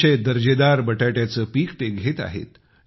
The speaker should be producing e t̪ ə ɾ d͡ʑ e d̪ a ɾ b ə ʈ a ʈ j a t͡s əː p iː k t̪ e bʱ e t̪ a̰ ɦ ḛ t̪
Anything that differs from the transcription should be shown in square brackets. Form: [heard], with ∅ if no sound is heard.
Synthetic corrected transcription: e [d̪] ə ɾ d͡ʑ e d̪ a ɾ b ə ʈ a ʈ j a t͡s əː p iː k t̪ e [ɡʱ] e t̪ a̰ ɦ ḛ t̪